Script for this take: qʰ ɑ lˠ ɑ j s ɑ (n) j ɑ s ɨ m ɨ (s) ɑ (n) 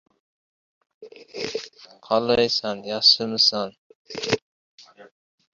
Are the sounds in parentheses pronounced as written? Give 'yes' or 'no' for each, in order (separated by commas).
yes, yes, yes